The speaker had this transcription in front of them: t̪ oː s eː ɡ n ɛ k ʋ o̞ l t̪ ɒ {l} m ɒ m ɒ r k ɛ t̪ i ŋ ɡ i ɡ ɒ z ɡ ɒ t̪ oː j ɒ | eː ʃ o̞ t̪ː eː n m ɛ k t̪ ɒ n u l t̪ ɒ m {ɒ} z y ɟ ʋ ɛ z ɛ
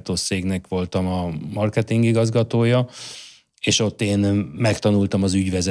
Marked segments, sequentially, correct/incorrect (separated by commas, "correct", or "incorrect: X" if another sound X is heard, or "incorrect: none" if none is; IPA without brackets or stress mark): incorrect: none, correct